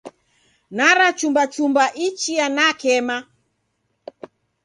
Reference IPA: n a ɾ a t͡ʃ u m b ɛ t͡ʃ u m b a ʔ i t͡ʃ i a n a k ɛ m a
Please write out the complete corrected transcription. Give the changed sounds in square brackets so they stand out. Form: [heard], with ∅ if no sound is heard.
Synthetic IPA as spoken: n a ɾ a t͡ʃ u m b [a] t͡ʃ u m b a ʔ i t͡ʃ i a n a k ɛ m a